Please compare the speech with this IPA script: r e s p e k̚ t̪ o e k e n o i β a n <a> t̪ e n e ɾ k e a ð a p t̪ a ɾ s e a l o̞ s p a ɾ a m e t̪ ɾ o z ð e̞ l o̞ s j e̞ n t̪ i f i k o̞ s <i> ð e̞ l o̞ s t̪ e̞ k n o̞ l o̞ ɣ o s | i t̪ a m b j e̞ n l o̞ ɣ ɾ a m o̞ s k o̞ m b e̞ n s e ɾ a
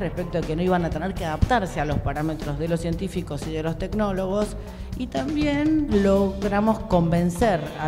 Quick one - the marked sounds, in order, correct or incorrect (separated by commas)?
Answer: correct, correct